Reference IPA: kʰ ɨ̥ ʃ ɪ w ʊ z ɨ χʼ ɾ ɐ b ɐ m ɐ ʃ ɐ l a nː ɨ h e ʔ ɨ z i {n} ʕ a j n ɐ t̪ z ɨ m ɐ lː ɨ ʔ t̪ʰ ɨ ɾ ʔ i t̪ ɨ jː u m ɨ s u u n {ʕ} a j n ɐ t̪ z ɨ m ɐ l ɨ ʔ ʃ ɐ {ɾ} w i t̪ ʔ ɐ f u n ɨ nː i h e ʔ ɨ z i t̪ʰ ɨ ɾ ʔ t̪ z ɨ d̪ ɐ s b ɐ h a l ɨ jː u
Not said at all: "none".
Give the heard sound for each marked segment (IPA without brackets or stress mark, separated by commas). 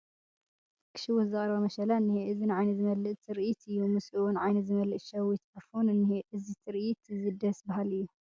n, ʕ, none